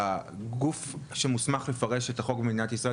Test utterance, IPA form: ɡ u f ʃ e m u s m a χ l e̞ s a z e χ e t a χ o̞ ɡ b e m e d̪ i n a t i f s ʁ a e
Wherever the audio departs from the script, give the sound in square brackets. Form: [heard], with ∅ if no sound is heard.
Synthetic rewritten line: ɡ u f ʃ e m u s m a χ l e̞ [f] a [ʁ] e [ʃ] e t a χ o̞ ɡ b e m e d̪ i n a t i [∅] s ʁ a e